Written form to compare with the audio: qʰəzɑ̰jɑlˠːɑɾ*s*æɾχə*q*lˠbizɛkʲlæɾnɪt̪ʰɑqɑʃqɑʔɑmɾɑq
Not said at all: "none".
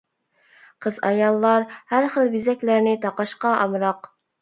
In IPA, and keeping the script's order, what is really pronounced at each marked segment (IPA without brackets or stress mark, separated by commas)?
h, none